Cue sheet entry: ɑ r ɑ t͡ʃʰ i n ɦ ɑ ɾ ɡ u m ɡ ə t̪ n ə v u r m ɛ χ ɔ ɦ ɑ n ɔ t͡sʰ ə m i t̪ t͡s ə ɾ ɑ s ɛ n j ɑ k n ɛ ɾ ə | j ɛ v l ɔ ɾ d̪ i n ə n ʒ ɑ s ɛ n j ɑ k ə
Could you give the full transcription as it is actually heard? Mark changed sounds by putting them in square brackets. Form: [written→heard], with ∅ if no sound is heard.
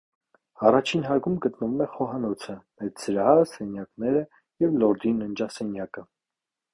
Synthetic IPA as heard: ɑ r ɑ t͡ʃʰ i n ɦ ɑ ɾ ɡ u m ɡ ə t̪ n ə v u [r→∅] m ɛ χ ɔ ɦ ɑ n ɔ t͡sʰ ə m [i→ɛ] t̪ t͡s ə ɾ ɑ s ɛ n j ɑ k n ɛ ɾ ə | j ɛ v l ɔ ɾ d̪ i n ə n [ʒ→d͡ʒ] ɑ s ɛ n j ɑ k ə